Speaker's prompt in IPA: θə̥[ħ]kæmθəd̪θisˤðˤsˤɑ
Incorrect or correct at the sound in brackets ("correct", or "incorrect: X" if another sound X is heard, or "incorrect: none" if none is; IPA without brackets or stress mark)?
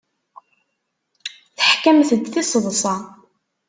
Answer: correct